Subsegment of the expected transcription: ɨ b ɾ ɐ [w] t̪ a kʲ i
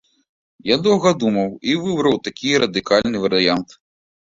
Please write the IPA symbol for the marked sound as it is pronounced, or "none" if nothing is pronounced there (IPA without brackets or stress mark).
w